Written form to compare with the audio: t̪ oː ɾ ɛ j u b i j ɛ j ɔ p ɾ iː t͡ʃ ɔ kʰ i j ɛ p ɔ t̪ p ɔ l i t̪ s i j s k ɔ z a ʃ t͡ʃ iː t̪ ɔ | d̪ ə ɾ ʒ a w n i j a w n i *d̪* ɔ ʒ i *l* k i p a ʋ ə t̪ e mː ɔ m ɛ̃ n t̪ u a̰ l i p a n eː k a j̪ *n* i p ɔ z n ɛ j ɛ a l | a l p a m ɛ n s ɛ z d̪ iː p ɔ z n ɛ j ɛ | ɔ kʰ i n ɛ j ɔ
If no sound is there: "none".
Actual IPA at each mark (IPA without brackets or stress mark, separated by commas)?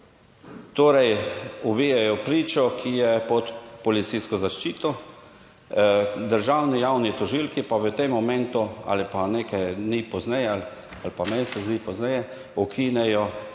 t̪, l, n